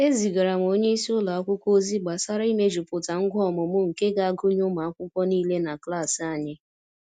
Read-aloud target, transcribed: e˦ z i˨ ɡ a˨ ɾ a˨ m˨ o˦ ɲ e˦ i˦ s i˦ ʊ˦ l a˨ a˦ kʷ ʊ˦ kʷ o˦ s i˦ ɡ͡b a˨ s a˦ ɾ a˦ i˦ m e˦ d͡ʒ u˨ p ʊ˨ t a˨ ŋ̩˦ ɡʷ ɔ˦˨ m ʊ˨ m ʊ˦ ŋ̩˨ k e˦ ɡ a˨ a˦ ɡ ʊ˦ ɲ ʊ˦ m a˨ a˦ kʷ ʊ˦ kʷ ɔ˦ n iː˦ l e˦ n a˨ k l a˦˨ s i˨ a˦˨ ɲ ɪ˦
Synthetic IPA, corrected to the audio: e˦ z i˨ ɡ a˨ ɾ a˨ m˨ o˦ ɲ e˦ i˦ s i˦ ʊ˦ l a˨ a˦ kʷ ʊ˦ kʷ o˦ z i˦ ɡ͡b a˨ s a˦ ɾ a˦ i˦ m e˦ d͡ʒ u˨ p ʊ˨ t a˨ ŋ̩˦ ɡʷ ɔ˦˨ m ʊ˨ m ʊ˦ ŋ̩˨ k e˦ ɡ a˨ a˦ ɡ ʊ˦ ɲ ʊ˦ m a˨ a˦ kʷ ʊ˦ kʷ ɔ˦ n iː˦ l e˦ n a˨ k l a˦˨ s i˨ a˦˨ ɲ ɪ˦